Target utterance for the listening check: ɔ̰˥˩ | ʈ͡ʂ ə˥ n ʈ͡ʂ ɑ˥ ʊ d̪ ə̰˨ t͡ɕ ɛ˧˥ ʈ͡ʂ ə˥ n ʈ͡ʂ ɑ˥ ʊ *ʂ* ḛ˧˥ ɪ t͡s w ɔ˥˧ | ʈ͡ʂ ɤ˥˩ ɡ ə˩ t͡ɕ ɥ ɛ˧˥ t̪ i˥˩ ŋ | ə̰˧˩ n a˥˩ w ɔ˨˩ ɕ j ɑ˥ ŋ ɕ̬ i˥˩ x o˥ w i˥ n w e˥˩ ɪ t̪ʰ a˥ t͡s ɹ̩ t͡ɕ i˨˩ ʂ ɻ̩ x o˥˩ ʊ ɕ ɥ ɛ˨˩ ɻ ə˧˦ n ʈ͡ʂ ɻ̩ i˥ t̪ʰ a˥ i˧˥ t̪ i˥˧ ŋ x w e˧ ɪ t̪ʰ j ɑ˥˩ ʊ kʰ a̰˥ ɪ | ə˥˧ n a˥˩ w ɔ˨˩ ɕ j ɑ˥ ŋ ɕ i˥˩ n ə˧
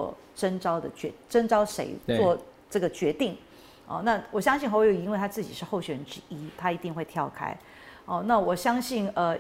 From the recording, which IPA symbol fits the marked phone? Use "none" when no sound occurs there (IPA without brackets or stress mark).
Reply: ʂ